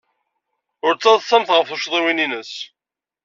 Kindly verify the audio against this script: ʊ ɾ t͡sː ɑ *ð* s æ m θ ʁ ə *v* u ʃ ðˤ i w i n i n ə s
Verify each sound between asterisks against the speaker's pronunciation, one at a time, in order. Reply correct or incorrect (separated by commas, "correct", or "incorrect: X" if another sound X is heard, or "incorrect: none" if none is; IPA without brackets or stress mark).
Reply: correct, incorrect: f